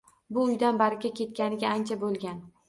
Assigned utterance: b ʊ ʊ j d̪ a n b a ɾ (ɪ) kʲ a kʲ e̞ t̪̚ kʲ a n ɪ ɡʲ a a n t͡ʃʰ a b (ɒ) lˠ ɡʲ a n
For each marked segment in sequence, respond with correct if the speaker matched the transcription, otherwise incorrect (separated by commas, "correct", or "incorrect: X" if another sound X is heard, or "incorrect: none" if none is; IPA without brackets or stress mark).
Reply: correct, incorrect: o